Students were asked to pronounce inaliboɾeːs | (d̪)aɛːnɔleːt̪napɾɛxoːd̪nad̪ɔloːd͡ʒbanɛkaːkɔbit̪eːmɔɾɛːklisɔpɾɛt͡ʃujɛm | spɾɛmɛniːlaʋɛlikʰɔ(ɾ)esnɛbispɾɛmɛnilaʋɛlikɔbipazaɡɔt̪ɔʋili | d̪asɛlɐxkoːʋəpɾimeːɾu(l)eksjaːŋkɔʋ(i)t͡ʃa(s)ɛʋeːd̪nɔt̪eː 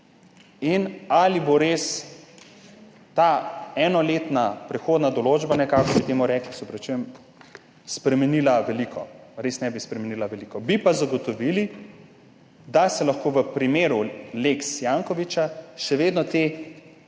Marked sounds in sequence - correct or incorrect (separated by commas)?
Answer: incorrect, correct, correct, correct, incorrect